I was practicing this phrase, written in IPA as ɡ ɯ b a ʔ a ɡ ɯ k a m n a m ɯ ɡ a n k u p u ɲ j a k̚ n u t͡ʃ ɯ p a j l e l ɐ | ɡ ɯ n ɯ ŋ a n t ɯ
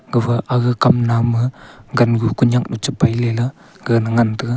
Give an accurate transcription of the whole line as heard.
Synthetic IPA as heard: ɡ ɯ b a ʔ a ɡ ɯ k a m n a m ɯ ɡ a n ɡ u k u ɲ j a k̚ n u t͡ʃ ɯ p a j l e l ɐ | ɡ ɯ n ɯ ŋ a n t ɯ